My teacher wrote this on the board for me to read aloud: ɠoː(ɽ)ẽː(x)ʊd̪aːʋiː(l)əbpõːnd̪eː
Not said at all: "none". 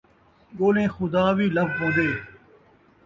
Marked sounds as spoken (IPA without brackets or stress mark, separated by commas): l, x, l